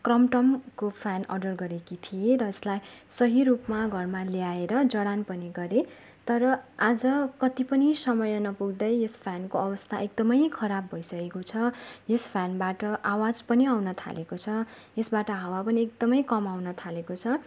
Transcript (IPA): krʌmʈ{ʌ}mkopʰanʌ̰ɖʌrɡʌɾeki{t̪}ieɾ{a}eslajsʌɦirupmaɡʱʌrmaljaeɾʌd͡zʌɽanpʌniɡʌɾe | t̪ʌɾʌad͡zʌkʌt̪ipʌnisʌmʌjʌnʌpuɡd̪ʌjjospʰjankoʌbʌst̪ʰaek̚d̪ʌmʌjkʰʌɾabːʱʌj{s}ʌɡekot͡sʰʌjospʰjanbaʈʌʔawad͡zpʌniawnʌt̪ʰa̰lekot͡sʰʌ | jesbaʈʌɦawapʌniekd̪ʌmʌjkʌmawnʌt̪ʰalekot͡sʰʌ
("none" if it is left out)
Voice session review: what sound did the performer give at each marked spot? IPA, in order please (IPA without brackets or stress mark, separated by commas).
ʌ, t̪ʰ, ʌ, s